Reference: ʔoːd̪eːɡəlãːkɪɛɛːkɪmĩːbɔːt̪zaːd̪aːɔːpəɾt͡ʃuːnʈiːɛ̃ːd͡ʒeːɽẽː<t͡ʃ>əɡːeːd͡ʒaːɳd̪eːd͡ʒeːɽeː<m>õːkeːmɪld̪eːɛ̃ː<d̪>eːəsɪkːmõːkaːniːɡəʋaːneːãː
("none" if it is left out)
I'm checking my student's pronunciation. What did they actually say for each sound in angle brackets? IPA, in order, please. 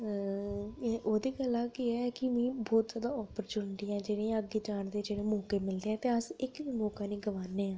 none, m, t̪

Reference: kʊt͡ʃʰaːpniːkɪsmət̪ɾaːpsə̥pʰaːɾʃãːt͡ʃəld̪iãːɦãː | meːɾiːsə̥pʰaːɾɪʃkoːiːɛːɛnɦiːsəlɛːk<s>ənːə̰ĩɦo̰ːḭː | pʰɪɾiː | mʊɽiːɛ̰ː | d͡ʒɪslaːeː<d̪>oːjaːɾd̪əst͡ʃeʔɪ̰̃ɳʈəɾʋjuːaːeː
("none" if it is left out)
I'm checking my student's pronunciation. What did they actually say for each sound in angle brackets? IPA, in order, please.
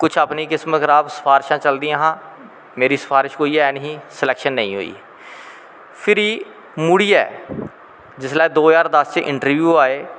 ʃ, d̪

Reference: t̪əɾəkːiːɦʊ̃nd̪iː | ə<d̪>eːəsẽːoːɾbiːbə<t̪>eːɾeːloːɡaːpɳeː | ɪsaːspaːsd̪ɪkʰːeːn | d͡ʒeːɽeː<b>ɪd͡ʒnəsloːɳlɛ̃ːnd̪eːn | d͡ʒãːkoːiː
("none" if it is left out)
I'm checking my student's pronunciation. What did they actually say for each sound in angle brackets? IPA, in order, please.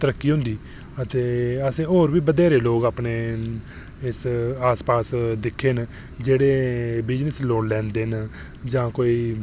t̪, d̪, b

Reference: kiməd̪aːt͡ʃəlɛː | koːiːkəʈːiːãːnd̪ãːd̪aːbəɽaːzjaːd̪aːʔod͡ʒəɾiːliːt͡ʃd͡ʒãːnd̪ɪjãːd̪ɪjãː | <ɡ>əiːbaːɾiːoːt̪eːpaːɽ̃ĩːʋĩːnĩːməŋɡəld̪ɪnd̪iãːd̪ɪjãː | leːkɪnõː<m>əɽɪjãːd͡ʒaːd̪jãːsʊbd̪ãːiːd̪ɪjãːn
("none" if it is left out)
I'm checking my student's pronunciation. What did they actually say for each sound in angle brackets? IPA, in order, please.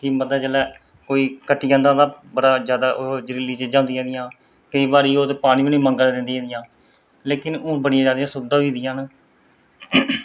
k, b

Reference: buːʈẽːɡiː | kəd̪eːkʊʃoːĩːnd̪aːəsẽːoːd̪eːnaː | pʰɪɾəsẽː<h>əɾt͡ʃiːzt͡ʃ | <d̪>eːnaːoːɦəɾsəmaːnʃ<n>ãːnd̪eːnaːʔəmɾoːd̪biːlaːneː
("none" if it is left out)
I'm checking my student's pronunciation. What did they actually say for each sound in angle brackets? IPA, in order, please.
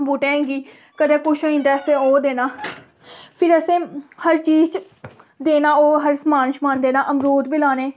h, d̪, m

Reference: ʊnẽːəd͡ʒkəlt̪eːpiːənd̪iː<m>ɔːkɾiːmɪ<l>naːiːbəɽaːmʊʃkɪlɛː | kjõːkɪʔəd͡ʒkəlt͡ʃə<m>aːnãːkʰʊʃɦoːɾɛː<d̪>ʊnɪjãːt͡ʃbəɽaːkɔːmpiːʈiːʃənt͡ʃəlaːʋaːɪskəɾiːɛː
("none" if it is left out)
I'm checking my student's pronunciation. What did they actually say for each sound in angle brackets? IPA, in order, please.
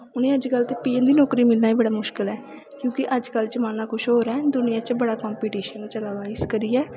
n, l, m, d̪

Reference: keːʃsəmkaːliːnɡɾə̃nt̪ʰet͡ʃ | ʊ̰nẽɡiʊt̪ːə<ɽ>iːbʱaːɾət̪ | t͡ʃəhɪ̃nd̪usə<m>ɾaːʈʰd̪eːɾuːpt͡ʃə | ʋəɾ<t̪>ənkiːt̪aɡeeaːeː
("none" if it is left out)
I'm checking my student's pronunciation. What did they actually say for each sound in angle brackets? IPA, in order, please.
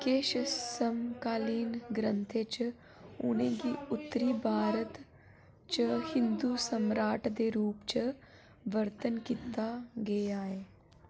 ɾ, m, t̪

